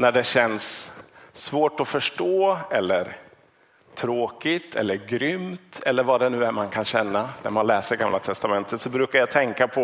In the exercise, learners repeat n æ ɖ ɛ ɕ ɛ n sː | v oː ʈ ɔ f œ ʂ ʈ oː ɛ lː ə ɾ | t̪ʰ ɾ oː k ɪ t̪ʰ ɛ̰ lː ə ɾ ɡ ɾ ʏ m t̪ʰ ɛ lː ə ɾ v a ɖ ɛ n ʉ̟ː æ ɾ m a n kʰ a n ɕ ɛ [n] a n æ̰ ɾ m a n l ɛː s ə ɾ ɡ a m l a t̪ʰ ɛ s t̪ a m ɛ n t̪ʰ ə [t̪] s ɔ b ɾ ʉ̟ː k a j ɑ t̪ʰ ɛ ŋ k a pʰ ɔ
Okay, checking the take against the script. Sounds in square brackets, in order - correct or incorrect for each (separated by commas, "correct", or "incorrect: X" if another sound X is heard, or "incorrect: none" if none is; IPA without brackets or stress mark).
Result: incorrect: nː, correct